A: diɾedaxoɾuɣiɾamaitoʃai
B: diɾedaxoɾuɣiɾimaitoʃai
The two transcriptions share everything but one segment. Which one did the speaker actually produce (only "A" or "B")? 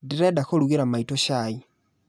A